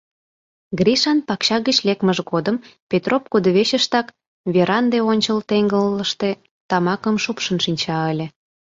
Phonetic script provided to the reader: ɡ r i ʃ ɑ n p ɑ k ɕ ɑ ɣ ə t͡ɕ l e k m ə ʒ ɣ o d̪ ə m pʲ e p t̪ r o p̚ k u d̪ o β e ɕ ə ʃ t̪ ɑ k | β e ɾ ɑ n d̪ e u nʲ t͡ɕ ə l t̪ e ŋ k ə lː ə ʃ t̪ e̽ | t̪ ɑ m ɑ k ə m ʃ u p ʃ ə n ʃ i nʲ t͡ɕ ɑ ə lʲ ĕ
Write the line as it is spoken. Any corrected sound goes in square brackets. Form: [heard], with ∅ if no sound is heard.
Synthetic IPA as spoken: ɡ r i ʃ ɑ n p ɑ k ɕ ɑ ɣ ə t͡ɕ l e k m ə ʒ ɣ o d̪ ə m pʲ e [∅] t̪ r o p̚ k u d̪ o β e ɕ ə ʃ t̪ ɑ k | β e ɾ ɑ n d̪ e [o] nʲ t͡ɕ ə l t̪ e ŋ [ɡ] ə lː ə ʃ t̪ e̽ | t̪ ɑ m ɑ k ə m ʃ u p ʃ ə n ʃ i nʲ t͡ɕ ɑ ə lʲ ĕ